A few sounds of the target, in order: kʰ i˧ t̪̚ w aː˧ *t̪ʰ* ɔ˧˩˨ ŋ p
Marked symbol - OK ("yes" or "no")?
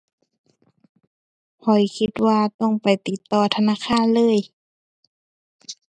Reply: no